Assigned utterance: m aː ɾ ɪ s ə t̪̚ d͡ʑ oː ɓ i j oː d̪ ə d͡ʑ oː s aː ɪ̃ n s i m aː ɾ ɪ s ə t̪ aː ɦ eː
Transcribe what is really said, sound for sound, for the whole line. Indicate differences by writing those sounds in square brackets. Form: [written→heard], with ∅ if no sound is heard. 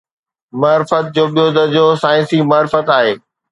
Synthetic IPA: m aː ɾ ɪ [s→f] ə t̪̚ d͡ʑ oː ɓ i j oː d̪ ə d͡ʑ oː s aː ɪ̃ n s i m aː ɾ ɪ [s→f] ə t̪ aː ɦ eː